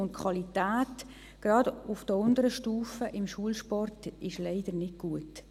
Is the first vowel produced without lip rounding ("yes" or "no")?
no